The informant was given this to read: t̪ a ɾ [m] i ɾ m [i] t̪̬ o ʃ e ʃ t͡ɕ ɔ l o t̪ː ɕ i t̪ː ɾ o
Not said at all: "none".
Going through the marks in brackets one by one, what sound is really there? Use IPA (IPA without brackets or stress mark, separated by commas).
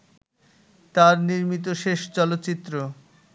n, i